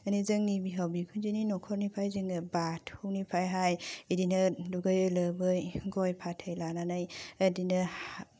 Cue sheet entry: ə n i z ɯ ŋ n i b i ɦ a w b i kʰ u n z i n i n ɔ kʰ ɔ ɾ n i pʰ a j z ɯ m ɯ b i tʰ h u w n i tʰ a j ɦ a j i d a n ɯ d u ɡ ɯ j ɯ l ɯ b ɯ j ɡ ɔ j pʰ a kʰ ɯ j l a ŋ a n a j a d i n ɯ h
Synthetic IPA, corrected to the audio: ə n i z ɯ ŋ n i b i ɦ a w b i kʰ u n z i n i n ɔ kʰ ɔ ɾ n i pʰ a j z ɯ ŋ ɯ b a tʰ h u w n i pʰ a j ɦ a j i d i n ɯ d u ɡ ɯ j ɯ l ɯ b ɯ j ɡ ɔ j pʰ a tʰ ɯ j l a n a n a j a d i n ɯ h

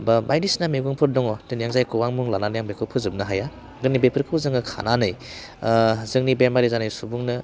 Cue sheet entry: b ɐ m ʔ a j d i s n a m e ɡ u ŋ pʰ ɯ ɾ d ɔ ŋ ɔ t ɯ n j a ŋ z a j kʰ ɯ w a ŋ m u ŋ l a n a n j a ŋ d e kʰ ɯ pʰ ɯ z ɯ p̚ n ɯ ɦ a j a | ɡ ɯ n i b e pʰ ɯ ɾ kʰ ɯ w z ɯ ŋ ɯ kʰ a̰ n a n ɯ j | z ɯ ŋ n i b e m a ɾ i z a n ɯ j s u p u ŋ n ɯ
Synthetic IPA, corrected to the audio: b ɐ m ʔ a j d i s n a m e ɡ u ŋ pʰ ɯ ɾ d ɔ ŋ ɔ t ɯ n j a ŋ z a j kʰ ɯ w a ŋ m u ŋ l a n a n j a ŋ b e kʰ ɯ pʰ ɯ z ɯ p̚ n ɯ ɦ a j a | ɡ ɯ n i b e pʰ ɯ ɾ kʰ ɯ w z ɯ ŋ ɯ kʰ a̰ n a n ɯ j | z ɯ ŋ n i b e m a ɾ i z a n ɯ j s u b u ŋ n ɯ

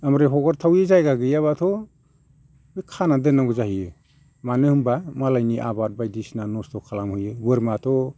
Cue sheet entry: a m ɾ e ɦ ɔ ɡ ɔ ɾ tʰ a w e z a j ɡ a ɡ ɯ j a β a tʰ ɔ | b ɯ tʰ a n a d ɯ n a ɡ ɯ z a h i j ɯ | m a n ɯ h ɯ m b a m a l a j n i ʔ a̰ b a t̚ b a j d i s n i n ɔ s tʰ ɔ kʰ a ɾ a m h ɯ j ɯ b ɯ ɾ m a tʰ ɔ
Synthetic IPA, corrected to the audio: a m ɾ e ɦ ɔ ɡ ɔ ɾ tʰ a w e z a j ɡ a ɡ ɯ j a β a tʰ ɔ | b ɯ kʰ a n a d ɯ n a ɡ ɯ z a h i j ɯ | m a n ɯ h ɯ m b a m a l a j n i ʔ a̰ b a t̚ b a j d i s n a n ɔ s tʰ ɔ kʰ a l a m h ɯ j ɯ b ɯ ɾ m a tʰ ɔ

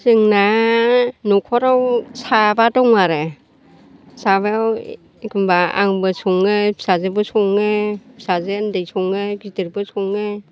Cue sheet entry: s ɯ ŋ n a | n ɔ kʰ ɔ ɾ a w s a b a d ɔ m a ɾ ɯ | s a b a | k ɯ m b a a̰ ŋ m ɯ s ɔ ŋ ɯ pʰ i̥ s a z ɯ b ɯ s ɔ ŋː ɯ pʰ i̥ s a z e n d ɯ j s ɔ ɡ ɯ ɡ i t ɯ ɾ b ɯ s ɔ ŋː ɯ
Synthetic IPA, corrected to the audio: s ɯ ŋ n a | n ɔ kʰ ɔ ɾ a w s a b a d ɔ ŋ a ɾ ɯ | s a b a | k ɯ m b a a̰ ŋ b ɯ s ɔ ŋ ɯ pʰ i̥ s a z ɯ b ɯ s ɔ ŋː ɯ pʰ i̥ s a z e n d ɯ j s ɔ ŋ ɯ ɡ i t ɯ ɾ b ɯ s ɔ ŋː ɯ

